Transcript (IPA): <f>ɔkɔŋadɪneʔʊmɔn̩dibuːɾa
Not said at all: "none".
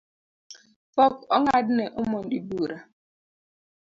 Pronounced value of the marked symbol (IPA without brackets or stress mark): f